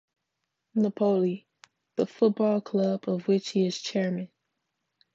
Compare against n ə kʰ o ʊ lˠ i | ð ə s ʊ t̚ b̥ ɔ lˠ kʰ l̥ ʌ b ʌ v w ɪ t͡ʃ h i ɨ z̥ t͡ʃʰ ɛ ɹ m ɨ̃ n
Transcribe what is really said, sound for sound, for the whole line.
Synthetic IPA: n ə pʰ o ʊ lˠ i | ð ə f ʊ t̚ b̥ ɔ lˠ kʰ l̥ ʌ b ʌ v w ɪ t͡ʃ h i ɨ z̥ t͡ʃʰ ɛ ɹ m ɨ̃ n